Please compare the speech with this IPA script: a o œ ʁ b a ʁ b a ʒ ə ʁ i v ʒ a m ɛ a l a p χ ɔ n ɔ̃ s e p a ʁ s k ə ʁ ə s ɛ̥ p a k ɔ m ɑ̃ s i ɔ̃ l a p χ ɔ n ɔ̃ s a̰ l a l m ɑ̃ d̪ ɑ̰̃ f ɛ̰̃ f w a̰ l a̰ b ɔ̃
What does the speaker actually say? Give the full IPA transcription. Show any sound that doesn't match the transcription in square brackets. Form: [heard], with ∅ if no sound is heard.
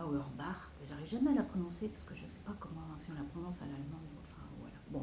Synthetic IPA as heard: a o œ ʁ b a ʁ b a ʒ [a] ʁ i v ʒ a m ɛ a l a p χ ɔ n ɔ̃ s e p a ʁ s k ə [ʒ] ə s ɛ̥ p a k ɔ m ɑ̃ s i ɔ̃ l a p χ ɔ n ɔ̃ s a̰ l a l m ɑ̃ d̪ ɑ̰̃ f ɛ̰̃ [v] w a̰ l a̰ b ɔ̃